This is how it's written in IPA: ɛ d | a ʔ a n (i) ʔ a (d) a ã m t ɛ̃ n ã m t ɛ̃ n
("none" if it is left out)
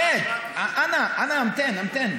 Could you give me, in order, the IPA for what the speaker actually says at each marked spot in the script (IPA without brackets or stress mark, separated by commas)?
a, n